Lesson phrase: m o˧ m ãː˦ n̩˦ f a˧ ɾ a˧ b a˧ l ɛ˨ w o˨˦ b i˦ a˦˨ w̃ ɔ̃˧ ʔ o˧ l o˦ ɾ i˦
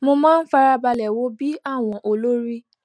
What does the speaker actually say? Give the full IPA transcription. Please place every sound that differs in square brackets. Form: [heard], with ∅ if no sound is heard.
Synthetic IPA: m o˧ m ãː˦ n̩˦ f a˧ ɾ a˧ b a˧ l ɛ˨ w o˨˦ b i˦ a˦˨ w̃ ɔ̃˧ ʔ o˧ l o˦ ɾ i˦